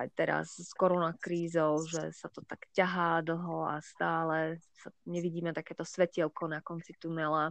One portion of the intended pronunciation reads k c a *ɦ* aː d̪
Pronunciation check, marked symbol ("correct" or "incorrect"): correct